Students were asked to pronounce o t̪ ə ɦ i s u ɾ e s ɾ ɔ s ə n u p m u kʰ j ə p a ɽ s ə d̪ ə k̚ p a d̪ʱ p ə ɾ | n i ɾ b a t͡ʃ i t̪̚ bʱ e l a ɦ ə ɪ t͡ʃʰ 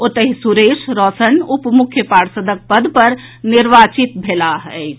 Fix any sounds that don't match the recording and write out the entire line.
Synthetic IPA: o t̪ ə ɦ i s u ɾ e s ɾ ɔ s ə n u p m u kʰ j ə p a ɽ s ə d̪ ə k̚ p ə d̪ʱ p ə ɾ | n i ɾ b a t͡ʃ i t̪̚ bʱ e l a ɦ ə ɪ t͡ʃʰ